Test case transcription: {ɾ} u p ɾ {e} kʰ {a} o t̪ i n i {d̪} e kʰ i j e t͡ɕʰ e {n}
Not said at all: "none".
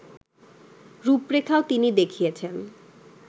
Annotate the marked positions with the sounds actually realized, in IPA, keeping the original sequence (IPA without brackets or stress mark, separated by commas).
ɾ, e, a, d̪, n